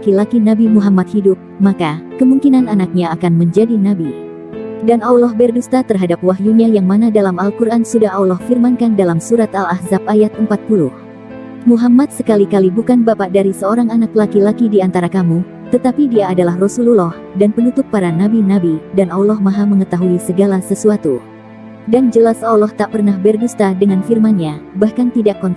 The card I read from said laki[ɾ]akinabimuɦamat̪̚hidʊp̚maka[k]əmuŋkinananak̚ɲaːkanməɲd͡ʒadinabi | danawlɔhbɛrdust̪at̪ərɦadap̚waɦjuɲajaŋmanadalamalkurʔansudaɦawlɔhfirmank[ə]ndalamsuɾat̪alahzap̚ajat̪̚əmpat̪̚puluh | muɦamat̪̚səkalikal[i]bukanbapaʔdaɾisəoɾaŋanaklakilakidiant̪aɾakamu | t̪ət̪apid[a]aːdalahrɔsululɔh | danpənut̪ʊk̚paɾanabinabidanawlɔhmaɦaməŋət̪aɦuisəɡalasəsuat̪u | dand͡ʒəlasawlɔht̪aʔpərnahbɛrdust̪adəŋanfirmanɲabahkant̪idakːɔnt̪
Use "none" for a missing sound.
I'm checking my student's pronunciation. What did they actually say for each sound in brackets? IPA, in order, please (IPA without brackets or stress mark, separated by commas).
l, k, a, i, i